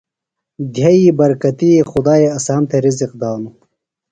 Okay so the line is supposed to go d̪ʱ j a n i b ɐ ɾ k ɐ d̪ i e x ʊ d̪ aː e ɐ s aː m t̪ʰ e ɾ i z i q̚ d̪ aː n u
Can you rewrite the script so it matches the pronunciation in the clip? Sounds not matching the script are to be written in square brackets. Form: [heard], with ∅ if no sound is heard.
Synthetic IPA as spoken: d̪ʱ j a [∅] i b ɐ ɾ k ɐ [t̪] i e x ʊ d̪ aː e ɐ s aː m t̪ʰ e ɾ i z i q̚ d̪ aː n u